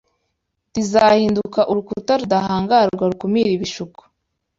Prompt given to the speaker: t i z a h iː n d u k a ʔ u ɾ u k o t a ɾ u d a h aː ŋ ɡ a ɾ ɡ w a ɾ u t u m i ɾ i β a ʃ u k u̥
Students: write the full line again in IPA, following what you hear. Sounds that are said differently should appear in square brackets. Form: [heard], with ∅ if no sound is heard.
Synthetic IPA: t i z a h iː n d u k a ʔ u ɾ u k [u] t a ɾ u d a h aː ŋ ɡ a ɾ ɡ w a ɾ u [k] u m i ɾ i β [i] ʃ u k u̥